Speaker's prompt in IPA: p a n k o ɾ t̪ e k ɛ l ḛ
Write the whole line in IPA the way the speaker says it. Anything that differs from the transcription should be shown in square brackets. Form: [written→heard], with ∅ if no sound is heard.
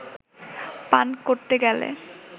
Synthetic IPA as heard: p a n k o ɾ t̪ e [k→ɡ] ɛ l ḛ